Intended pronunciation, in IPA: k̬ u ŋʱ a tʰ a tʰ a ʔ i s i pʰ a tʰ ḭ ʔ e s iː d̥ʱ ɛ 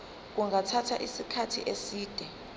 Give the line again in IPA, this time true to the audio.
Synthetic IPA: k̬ u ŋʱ a tʰ a tʰ a ʔ i s i kʰ a tʰ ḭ ʔ e s iː d̥ʱ ɛ